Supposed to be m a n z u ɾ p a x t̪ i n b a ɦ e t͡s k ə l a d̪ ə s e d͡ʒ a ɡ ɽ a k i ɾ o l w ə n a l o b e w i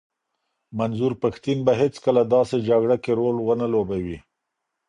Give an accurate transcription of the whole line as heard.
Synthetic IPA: m a n z u ɾ p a x t̪ i n b a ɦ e t͡s k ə l a d̪ ɑ s e d͡ʒ a ɡ ɽ a k e ɾ o l w ə n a l o b a w i

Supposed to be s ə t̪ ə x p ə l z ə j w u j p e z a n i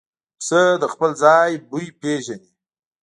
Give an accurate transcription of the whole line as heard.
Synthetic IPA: s ə d̪ ə x p ə l z ɑ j b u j p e ʒ a n i

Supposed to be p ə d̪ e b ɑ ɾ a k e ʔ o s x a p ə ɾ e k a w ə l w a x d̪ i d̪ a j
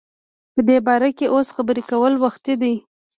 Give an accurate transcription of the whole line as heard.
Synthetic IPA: p ə d̪ e b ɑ ɾ a k e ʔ o s x a b ə ɾ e k a w ə l w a x t̪ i d̪ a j

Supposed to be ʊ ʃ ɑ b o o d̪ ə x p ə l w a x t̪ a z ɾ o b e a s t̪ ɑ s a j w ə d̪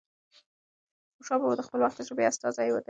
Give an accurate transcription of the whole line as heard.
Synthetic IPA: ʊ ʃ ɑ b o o d̪ ə x p ə l w a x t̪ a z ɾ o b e a s t̪ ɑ z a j w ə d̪

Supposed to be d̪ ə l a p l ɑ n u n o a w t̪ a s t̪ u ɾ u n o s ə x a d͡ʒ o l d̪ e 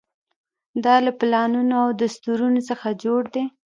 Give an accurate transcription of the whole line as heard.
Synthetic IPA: d̪ ɑ l a p l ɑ n u n o a w d̪ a s t̪ u ɾ u n o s ə x a d͡ʒ o ɽ d̪ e

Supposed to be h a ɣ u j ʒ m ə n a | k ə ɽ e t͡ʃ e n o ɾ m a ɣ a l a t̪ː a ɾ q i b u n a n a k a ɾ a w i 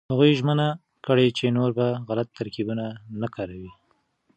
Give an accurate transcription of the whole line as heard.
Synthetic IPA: h a ɣ u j ʒ m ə n a | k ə ɽ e t͡ʃ e n o ɾ b a ɣ a l a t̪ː a ɾ k i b u n a n a k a ɾ a w i

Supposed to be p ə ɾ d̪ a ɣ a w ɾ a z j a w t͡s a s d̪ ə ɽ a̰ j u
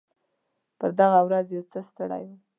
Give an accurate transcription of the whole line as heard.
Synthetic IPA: p ə ɾ d̪ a ɣ a w ɾ a z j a w t͡s ə s t̪ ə ɽ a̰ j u

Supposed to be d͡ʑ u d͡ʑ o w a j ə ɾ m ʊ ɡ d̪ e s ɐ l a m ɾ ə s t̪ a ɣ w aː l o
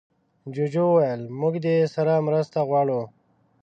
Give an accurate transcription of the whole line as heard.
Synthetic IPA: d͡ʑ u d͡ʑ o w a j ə l m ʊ ɡ d̪ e s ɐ ɾ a m ɾ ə s t̪ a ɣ w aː ɽ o

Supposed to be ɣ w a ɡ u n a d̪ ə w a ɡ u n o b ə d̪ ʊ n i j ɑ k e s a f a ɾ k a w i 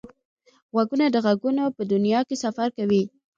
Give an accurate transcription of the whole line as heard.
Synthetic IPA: ɣ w a ɡ u n a d̪ ə ɣ a ɡ u n o p ə d̪ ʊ n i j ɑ k e s a f a ɾ k a w i

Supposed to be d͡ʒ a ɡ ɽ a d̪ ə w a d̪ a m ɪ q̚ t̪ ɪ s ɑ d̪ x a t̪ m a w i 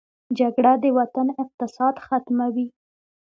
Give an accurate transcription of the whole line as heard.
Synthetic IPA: d͡ʒ a ɡ ɽ a d̪ ə w a t̪ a n ɪ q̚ t̪ ɪ s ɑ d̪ x a t̪ m a w i

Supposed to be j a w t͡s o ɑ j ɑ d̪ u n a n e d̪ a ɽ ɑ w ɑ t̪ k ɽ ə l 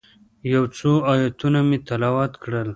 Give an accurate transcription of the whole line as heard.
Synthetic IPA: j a w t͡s o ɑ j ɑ t̪ u n a m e t̪ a l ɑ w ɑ t̪ k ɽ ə l

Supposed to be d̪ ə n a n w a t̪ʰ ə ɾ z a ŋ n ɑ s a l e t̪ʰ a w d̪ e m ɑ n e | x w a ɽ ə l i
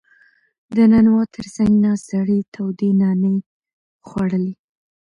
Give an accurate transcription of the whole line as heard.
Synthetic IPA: d̪ ə n a n w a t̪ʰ ə ɾ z a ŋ n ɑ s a ɽ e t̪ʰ a w d̪ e n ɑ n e | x w a ɽ ə l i

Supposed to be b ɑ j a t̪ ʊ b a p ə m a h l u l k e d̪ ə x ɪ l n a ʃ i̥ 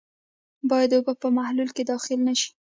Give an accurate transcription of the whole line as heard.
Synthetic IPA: b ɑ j a d̪ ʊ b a p ə m a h l u l k e d̪ ɑ x ɪ l n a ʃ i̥

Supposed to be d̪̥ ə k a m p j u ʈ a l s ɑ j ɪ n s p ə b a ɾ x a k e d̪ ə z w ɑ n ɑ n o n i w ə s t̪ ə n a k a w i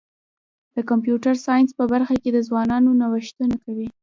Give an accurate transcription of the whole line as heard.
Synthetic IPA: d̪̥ ə k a m p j u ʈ a ɾ s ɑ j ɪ n s p ə b a ɾ x a k e d̪ ə z w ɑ n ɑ n o n a w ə ʃ t̪ ə n a k a w i

